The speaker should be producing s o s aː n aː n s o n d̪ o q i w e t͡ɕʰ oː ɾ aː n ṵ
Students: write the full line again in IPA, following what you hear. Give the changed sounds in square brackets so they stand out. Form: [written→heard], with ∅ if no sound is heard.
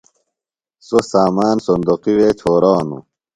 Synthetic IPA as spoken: s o s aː [n→m] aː n s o n d̪ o q i w e t͡ɕʰ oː ɾ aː n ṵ